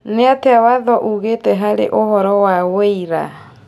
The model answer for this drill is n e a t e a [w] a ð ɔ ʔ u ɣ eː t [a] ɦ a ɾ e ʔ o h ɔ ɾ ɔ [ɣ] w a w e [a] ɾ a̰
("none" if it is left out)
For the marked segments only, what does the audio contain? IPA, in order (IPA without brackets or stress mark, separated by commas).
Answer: w, ɛ, none, i